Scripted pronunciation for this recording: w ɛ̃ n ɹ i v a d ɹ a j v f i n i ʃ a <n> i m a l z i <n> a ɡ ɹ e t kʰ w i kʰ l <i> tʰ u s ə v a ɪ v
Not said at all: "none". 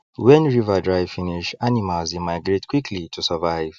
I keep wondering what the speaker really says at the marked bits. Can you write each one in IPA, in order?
n, m, i

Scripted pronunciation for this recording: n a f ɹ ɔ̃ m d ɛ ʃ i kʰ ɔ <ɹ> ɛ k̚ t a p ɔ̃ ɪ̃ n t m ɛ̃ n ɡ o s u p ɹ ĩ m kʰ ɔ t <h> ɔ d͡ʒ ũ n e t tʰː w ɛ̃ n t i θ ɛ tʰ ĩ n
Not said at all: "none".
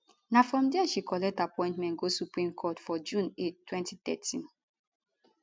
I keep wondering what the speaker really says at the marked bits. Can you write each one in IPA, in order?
l, f

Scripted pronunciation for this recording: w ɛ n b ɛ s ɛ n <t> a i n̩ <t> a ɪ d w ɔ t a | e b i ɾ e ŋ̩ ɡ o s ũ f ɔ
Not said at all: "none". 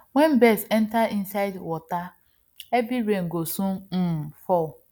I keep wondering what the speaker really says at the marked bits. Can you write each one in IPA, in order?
t, s

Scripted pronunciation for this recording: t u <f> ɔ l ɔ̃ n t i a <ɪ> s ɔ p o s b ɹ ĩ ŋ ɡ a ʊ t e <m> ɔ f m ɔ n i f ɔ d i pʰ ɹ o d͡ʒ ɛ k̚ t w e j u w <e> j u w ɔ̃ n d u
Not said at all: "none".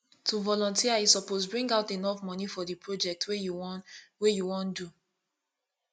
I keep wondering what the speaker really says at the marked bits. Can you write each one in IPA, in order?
v, i, n, e

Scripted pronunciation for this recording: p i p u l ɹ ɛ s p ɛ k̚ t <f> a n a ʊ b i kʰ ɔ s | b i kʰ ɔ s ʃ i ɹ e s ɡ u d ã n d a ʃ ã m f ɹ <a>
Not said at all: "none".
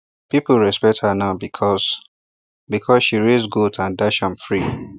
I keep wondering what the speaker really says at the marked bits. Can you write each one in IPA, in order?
h, i

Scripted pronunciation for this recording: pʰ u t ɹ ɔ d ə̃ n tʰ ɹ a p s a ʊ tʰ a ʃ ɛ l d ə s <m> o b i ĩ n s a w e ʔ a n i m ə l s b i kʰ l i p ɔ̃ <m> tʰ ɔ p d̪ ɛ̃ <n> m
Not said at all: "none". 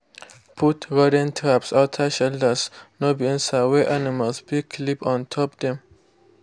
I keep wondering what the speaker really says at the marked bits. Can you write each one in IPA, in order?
n, n, none

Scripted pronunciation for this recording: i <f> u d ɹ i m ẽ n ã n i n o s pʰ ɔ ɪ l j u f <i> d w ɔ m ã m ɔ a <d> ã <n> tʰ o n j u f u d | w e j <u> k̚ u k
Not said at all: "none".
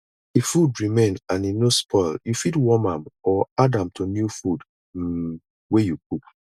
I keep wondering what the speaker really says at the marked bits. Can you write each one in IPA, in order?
f, i, d, m, u

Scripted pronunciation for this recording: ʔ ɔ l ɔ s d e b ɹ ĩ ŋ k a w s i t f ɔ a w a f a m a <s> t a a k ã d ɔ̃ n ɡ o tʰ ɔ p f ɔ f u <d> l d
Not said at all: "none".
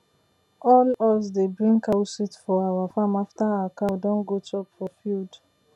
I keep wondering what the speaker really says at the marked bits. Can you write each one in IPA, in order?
f, none

